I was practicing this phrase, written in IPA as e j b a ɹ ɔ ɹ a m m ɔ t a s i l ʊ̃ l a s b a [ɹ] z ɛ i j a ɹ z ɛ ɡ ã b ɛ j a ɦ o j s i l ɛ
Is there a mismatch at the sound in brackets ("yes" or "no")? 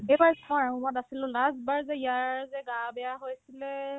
no